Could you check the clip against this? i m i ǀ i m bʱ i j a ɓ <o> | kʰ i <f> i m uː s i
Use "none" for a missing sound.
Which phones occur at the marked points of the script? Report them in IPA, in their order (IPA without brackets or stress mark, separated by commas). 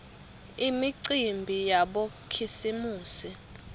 o, s